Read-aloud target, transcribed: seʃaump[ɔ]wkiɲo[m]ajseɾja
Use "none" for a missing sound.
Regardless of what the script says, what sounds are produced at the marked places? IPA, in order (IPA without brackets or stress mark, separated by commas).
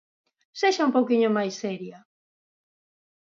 o, m